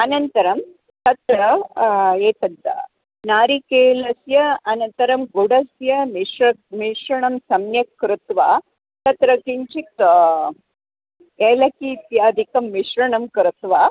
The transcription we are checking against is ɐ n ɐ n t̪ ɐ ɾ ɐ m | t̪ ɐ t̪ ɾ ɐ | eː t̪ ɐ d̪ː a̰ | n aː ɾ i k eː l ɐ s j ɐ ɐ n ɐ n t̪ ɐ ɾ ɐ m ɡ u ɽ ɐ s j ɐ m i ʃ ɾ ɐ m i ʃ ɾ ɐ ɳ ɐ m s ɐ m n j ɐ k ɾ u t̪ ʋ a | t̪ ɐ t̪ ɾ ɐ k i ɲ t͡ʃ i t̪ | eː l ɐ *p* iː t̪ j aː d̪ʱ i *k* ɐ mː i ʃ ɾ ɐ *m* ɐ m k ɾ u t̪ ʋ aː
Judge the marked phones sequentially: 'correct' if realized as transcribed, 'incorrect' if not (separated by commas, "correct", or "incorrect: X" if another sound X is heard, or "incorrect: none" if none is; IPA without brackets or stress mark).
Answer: incorrect: k, correct, incorrect: ɳ